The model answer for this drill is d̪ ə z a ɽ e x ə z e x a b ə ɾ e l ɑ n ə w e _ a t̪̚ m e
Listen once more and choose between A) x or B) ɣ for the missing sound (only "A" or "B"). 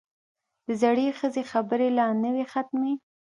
A